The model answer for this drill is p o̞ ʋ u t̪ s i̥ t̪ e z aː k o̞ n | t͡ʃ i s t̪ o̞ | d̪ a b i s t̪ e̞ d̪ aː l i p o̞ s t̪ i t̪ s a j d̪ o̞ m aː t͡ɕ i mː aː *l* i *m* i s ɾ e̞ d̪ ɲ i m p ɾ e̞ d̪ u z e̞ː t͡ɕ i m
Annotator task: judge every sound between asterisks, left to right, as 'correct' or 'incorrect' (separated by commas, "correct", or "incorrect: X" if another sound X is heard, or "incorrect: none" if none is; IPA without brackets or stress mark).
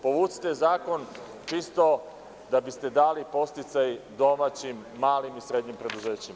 correct, correct